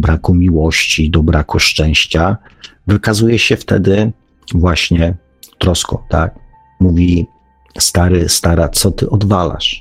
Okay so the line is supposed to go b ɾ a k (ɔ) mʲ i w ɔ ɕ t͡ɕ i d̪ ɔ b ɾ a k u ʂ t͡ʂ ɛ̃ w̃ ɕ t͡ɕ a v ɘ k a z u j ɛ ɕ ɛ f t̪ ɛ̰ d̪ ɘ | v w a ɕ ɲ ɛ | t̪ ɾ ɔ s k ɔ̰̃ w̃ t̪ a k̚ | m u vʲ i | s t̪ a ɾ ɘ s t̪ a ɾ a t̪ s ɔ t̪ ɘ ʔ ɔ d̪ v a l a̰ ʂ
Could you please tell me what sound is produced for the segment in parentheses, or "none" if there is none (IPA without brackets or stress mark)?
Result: u